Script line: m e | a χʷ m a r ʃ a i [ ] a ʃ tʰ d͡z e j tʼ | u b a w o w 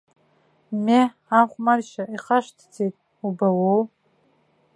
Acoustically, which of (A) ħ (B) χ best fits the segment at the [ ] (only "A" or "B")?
B